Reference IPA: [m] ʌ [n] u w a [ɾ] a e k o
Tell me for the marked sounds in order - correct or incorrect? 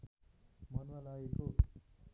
correct, correct, incorrect

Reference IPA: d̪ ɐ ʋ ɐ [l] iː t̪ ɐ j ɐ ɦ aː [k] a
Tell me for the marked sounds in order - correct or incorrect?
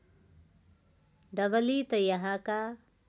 correct, correct

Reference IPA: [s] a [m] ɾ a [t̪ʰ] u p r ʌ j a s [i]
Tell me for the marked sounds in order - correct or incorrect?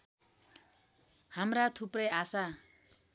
incorrect, correct, correct, incorrect

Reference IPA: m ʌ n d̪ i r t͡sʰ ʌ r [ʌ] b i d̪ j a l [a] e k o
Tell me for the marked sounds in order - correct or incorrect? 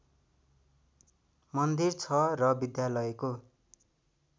correct, incorrect

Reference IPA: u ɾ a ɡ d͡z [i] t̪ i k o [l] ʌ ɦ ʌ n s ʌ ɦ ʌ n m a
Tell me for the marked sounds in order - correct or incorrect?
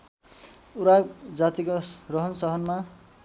incorrect, incorrect

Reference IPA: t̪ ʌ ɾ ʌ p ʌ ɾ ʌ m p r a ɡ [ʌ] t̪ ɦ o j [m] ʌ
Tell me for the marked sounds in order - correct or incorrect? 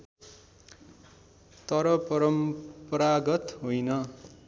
correct, incorrect

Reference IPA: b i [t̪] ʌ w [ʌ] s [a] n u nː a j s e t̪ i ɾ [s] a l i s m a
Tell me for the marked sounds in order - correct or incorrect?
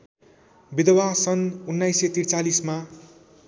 incorrect, incorrect, incorrect, incorrect

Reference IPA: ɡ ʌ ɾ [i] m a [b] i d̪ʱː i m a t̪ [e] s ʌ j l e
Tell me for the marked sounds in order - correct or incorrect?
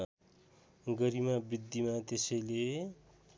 correct, correct, correct

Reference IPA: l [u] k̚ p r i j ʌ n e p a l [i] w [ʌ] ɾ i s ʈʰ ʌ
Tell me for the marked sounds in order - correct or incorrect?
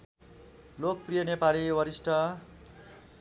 incorrect, correct, correct

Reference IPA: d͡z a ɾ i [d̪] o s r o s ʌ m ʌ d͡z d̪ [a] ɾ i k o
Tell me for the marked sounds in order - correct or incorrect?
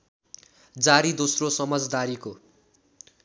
correct, correct

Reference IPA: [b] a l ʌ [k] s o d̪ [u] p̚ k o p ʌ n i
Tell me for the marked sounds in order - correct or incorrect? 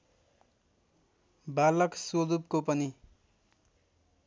correct, correct, correct

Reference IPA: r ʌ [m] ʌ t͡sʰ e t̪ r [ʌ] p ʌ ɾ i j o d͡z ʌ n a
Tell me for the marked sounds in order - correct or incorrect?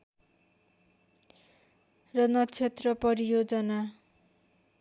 incorrect, correct

